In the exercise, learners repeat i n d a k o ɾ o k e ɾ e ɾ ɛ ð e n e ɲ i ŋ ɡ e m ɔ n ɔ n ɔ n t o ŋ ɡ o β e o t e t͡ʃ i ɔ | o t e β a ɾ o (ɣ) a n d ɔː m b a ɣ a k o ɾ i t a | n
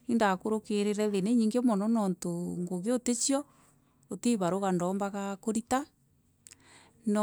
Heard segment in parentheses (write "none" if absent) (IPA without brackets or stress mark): ɣ